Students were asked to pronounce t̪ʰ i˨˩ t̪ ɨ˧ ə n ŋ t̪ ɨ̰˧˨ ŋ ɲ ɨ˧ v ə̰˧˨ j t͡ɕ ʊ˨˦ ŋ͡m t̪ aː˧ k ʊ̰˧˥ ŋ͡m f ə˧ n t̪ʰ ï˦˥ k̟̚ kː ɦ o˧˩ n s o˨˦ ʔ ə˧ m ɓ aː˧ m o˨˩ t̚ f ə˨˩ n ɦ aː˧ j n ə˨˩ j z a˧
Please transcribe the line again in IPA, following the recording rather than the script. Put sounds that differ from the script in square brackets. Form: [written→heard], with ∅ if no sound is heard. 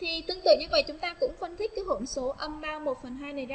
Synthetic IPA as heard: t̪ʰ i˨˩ t̪ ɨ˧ ə [n→∅] ŋ t̪ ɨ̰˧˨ ŋ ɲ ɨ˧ v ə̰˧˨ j t͡ɕ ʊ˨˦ ŋ͡m t̪ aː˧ k ʊ̰˧˥ ŋ͡m f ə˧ n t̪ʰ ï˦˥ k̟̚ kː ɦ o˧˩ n s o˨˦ ʔ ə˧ m ɓ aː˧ m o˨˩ t̚ f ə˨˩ n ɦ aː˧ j n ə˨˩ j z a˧